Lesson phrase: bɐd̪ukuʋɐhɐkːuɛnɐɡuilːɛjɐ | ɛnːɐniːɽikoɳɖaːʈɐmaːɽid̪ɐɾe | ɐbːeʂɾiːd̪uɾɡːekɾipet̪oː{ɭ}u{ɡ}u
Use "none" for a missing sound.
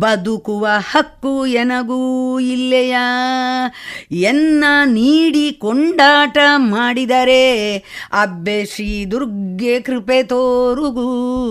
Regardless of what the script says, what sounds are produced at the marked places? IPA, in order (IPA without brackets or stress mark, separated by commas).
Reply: ɾ, ɡ